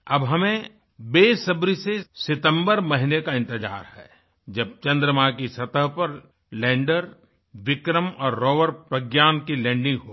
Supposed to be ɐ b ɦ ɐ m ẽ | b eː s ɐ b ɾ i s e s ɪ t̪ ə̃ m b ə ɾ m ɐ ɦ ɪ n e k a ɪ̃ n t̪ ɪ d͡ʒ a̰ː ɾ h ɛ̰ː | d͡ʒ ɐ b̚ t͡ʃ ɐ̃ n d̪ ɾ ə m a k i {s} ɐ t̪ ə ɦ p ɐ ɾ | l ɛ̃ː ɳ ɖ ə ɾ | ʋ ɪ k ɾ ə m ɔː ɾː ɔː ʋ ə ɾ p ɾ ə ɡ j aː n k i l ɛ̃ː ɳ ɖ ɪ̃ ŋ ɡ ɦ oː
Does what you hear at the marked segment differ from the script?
no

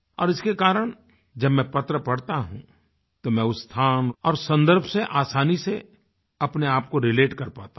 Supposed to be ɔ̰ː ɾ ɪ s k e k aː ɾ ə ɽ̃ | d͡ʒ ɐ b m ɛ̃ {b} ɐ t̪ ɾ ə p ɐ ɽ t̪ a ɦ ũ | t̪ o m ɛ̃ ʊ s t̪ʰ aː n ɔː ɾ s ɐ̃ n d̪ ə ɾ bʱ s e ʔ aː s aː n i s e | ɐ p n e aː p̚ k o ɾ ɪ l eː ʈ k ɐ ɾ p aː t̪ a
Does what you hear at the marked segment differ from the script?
yes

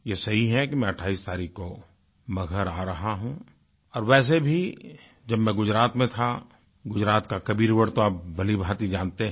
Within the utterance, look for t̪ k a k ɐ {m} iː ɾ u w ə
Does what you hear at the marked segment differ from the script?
yes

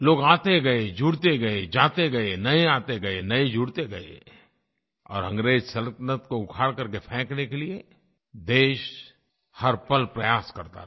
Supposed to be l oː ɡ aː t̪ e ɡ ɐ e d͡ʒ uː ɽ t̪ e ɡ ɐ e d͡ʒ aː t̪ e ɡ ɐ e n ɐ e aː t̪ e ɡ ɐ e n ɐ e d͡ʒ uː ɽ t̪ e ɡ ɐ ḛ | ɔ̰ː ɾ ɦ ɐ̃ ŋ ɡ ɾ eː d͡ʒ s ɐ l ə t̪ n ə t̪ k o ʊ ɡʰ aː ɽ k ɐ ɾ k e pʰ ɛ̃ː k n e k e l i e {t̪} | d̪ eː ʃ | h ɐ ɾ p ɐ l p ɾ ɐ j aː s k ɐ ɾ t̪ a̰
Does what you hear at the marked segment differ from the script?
yes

